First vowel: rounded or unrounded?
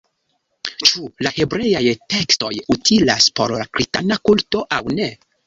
rounded